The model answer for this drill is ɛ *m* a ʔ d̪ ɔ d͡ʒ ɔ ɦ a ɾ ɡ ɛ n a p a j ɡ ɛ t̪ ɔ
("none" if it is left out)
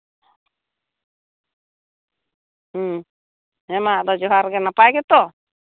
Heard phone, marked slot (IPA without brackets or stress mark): m